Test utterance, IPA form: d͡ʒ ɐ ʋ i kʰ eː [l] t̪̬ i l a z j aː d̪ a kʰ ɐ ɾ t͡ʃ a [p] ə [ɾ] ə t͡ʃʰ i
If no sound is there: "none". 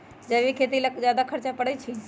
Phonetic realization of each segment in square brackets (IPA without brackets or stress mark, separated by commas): none, p, ɽ